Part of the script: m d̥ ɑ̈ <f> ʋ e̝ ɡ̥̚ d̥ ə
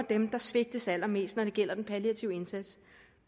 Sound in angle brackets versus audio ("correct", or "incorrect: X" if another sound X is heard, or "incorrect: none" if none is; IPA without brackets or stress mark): incorrect: s